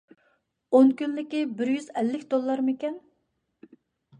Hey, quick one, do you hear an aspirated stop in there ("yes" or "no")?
no